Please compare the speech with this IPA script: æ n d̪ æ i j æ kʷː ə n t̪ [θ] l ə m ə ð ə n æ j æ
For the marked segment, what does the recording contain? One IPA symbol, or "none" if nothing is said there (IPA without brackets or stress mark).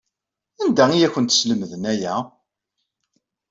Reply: s